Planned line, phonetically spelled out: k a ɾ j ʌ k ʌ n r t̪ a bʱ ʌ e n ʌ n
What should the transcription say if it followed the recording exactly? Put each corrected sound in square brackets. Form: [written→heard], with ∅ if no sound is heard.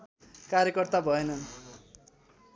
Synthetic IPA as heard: k a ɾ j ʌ k ʌ [n→∅] r t̪ a bʱ ʌ e n ʌ n